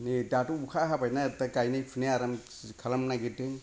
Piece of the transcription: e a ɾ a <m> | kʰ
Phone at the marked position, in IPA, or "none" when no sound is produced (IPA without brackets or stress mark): m